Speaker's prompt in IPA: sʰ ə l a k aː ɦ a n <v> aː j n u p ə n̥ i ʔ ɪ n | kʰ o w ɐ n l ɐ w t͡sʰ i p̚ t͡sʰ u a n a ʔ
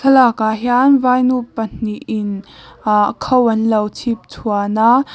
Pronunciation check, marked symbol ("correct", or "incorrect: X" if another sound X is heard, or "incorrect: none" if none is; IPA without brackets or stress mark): correct